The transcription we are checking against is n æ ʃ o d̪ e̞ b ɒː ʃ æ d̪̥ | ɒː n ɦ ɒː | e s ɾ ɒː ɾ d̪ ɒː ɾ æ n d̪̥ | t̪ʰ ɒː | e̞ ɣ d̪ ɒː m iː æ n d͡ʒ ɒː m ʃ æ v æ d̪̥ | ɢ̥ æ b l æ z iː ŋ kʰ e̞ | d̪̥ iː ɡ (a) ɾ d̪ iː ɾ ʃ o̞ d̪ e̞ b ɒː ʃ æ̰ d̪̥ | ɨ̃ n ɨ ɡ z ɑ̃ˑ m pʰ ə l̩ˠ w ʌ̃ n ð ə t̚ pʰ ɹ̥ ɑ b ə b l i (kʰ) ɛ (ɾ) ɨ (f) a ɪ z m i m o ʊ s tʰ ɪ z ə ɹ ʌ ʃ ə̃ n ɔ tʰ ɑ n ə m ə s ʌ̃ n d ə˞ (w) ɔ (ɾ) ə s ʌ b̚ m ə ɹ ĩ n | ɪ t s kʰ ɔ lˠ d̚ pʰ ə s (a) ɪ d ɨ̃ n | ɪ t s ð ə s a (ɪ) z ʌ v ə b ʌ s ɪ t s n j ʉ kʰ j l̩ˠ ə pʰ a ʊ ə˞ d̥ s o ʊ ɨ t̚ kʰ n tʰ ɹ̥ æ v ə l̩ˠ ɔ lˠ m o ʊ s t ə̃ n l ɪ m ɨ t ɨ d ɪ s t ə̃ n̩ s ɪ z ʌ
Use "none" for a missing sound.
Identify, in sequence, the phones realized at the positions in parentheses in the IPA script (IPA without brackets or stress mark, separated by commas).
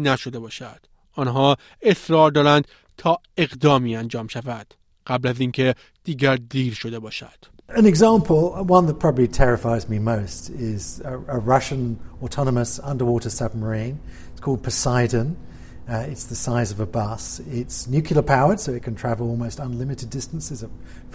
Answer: æ, tʰ, ɹ, f, w, ɾ, a, ɪ